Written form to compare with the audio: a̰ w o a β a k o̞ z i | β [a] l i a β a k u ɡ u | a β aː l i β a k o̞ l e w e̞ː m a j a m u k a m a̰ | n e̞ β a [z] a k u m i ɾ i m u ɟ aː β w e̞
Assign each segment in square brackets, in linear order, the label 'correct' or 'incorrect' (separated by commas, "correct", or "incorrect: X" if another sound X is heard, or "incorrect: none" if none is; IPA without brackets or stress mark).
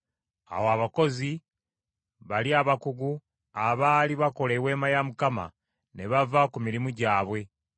correct, incorrect: v